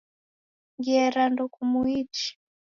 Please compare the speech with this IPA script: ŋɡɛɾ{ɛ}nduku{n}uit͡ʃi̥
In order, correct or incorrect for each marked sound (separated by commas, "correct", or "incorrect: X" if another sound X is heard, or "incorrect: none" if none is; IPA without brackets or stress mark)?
incorrect: a, incorrect: m